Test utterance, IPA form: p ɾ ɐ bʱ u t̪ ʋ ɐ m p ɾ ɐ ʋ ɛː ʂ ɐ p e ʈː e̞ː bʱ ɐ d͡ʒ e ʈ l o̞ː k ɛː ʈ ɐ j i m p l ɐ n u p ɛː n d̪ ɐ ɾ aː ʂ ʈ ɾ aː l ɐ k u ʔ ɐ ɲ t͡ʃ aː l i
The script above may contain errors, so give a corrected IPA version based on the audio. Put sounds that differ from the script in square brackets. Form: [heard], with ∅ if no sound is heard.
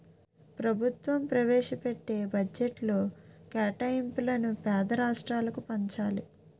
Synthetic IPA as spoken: p ɾ ɐ bʱ u t̪ ʋ ɐ m p ɾ ɐ ʋ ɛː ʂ ɐ p e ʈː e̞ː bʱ ɐ d͡ʒ e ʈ l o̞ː k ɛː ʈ ɐ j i m p l ɐ n u p ɛː [∅] d̪ ɐ ɾ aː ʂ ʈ ɾ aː l ɐ k u [p] ɐ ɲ t͡ʃ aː l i